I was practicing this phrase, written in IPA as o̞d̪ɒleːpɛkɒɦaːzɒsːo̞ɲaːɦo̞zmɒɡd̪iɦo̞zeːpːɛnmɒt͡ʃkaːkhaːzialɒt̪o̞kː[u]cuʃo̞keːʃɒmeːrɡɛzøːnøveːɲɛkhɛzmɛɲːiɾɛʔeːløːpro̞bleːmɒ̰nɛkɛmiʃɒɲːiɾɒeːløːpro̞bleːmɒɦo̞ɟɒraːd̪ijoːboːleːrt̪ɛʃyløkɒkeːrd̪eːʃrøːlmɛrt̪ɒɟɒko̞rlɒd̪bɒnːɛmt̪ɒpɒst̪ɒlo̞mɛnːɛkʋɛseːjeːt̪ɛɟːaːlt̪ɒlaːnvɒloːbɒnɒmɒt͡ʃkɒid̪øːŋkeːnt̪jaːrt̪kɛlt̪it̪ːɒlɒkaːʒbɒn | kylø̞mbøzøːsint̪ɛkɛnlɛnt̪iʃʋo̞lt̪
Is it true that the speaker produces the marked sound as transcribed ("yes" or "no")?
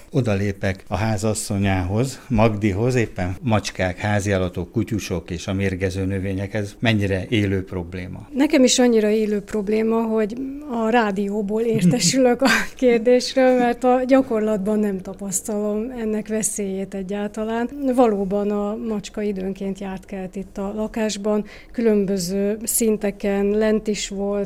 yes